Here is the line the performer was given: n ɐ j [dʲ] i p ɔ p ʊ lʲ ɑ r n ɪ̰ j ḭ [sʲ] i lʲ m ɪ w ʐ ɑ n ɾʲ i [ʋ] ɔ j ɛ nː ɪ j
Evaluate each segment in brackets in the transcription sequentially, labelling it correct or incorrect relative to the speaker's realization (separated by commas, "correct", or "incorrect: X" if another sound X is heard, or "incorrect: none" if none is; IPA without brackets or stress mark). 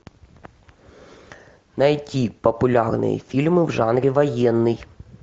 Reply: incorrect: tʲ, incorrect: fʲ, correct